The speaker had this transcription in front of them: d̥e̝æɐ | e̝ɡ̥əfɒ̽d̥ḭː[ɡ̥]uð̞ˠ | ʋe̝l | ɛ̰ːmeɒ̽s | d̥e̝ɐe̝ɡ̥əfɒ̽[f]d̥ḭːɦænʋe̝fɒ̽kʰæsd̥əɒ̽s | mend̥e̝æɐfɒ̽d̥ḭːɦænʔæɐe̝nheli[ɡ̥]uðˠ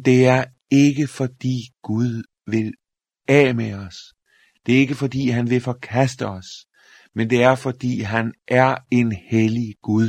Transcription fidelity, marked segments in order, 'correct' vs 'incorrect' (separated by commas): correct, incorrect, correct